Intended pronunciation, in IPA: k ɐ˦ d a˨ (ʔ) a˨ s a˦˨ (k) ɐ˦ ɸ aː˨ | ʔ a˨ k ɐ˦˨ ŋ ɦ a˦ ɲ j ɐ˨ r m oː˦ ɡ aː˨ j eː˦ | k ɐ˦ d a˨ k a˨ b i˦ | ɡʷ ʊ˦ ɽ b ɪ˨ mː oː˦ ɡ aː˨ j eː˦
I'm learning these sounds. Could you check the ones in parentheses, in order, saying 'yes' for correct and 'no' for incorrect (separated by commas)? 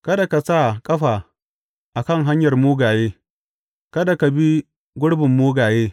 no, no